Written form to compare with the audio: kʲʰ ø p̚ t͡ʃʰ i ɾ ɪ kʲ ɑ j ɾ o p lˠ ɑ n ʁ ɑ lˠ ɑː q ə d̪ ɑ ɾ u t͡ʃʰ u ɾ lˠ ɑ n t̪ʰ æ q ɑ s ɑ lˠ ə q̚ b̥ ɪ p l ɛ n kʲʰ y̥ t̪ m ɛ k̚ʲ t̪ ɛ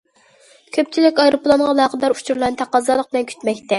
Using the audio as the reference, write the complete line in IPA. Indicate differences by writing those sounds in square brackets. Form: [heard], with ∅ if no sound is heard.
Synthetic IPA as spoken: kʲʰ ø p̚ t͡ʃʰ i [l] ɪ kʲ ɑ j ɾ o p lˠ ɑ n ʁ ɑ lˠ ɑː q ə d̪ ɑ ɾ u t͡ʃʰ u ɾ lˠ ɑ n t̪ʰ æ q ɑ [z] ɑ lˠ ə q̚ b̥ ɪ [∅] l ɛ n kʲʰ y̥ t̪ m ɛ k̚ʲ t̪ ɛ